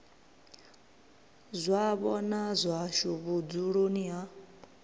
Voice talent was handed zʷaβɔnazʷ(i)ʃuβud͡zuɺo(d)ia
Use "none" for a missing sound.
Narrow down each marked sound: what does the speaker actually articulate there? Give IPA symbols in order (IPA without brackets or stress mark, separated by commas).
a, n